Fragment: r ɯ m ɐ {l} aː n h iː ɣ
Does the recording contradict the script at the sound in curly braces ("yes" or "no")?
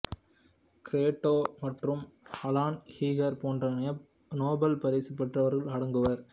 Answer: no